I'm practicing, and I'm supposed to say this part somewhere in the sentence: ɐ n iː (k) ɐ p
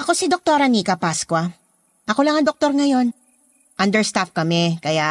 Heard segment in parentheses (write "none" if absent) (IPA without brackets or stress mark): k